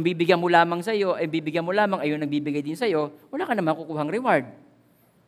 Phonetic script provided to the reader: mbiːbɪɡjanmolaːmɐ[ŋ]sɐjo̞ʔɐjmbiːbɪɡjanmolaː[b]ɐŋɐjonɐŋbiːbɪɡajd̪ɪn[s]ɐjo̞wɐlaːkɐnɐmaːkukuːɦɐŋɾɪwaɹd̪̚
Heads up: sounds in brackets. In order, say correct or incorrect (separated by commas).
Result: correct, incorrect, correct